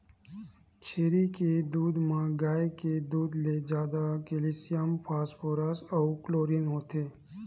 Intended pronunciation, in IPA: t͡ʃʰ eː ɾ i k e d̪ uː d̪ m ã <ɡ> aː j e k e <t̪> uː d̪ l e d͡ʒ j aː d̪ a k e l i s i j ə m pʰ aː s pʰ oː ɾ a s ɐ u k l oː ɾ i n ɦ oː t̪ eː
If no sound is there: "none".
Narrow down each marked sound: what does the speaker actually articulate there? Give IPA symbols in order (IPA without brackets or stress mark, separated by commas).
ɡ, d̪